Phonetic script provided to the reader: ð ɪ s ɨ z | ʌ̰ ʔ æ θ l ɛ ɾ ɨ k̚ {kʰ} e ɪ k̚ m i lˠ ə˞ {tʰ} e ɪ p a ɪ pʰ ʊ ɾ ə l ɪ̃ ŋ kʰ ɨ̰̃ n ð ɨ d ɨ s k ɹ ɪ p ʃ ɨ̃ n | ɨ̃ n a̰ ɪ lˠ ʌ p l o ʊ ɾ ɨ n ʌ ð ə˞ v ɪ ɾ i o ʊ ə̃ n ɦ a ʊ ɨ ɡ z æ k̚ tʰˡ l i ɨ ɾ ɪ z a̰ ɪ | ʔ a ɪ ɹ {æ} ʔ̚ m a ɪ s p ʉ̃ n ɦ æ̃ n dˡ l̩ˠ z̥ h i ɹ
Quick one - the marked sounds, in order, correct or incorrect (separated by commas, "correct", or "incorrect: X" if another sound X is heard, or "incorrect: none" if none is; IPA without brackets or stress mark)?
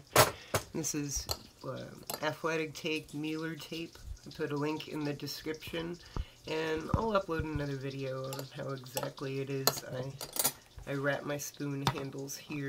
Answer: incorrect: tʰ, correct, correct